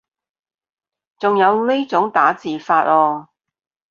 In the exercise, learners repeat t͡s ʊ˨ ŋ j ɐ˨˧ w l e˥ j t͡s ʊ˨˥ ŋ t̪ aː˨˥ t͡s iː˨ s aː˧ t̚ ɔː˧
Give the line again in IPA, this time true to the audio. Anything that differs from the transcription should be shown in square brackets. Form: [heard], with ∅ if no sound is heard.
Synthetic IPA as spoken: t͡s ʊ˨ ŋ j ɐ˨˧ w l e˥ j t͡s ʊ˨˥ ŋ t̪ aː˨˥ t͡s iː˨ [f] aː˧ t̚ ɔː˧